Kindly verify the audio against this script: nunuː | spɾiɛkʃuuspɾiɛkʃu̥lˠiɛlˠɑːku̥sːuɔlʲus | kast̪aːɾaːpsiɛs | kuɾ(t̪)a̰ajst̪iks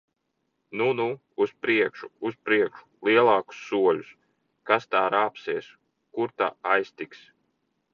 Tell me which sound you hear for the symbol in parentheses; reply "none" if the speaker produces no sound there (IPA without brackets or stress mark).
t̪